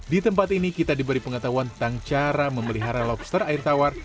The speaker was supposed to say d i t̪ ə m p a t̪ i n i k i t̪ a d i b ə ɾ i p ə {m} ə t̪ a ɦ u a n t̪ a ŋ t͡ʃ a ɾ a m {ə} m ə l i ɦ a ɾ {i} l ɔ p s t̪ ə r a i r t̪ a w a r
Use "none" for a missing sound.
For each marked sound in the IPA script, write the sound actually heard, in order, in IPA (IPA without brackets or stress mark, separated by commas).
ŋ, ə, a